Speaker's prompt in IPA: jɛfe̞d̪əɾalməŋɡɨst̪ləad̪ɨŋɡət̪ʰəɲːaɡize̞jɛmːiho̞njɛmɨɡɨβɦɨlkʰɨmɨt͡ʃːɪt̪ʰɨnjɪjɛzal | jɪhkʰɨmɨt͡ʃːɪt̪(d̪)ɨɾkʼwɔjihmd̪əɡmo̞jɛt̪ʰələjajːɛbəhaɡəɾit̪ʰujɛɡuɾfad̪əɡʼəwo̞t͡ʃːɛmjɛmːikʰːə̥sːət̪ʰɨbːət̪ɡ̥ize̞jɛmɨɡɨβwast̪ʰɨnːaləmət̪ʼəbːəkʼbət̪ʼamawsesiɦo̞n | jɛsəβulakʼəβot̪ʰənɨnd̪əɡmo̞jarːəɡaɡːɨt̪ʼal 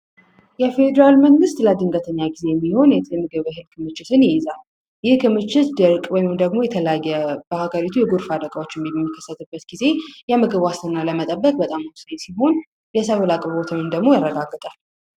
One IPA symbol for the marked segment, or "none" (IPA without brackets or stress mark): d̪